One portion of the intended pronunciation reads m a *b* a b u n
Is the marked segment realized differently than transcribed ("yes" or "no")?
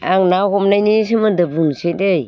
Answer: yes